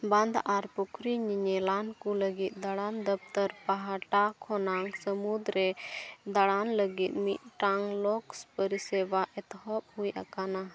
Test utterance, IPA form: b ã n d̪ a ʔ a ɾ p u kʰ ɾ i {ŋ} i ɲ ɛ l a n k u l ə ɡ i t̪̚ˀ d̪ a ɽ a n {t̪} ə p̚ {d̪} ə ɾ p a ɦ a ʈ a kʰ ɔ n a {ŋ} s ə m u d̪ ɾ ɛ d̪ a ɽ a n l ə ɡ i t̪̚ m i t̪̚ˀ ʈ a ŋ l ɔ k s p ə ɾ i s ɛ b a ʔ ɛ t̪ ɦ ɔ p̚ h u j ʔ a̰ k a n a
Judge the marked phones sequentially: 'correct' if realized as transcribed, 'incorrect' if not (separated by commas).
incorrect, incorrect, incorrect, correct